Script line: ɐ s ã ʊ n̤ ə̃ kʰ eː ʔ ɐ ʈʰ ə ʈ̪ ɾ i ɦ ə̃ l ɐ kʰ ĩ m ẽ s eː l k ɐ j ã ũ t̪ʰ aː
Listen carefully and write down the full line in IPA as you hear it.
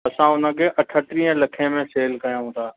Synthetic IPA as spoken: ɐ s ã ʊ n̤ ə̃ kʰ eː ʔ ɐ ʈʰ ə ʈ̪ ɾ i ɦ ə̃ l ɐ kʰ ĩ m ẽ s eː l k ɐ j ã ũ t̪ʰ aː